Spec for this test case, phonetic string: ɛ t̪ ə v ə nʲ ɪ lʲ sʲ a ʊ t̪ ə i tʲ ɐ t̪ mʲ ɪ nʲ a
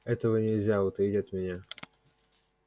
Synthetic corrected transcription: ɛ t̪ ə v ə nʲ ɪ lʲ zʲ a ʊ t̪ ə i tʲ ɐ t̪ mʲ ɪ nʲ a